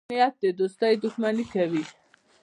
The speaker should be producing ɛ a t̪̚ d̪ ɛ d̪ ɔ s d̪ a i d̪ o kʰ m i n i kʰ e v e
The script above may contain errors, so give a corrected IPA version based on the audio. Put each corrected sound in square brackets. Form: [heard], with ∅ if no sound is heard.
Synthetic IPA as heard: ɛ a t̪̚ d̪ ɛ d̪ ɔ s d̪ a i d̪ [u] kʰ m [a] n i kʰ [ɛ] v [i]